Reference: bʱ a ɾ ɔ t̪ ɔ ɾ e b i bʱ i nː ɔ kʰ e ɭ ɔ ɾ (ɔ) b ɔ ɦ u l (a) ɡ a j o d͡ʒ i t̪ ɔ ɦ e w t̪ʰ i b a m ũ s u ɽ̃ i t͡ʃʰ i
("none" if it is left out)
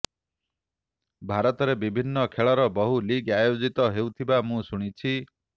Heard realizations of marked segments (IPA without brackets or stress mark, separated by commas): ɔ, i